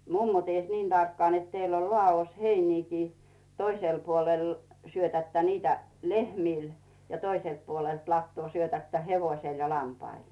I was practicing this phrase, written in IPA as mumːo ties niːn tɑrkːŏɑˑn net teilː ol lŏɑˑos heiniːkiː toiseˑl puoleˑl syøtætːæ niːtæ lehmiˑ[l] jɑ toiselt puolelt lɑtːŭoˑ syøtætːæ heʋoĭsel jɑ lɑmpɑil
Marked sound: correct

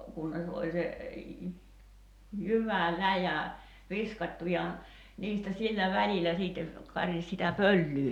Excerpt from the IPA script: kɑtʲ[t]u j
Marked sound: correct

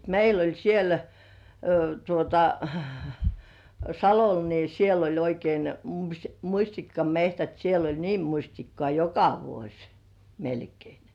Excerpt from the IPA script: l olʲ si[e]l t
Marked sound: correct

